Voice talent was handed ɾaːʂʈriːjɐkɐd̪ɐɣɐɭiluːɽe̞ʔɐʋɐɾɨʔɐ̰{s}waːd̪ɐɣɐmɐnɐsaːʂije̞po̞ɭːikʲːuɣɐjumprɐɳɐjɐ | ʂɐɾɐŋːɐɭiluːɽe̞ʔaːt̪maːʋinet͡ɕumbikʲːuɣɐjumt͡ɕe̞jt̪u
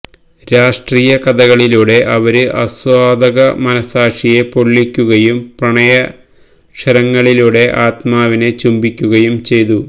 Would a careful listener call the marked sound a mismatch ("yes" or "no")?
no